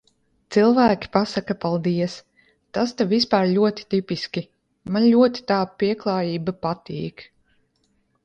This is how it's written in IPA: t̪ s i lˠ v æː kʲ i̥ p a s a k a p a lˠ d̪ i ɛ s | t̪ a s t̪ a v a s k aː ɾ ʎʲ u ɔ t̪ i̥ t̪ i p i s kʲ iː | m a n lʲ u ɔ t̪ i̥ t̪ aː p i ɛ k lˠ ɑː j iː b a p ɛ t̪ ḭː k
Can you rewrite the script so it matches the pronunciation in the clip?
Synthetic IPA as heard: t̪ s i lˠ v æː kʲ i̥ p a s a k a p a lˠ d̪ i ɛ s | t̪ a s t̪ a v i s p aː ɾ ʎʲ u ɔ t̪ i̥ t̪ i p i s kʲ i | m a n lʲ u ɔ t̪ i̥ t̪ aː p i ɛ k lˠ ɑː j iː b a p a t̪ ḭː k